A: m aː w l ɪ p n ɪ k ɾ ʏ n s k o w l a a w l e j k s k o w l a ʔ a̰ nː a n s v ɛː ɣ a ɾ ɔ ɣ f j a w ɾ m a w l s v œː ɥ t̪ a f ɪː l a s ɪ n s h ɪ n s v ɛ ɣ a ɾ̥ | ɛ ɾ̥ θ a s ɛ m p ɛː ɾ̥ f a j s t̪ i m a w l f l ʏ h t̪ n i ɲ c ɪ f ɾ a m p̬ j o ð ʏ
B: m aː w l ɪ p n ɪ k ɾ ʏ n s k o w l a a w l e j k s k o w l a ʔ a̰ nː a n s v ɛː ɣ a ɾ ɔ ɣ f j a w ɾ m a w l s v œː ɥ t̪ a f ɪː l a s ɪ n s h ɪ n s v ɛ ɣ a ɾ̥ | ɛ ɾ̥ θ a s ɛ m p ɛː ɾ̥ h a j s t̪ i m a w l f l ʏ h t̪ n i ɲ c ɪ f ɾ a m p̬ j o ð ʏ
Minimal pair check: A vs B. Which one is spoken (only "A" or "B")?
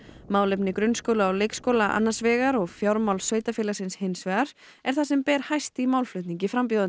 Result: B